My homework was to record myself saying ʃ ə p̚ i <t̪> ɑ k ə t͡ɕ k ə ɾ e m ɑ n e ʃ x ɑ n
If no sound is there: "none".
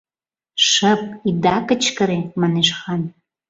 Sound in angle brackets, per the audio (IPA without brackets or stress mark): d̪